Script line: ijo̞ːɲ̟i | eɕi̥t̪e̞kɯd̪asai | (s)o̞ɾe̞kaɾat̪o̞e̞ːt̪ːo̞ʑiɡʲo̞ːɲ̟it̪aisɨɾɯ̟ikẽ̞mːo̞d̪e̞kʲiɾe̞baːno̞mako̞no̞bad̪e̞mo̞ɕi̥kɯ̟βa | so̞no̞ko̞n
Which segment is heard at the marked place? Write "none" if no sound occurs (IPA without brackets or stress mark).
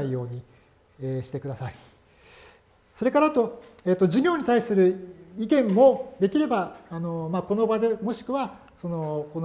s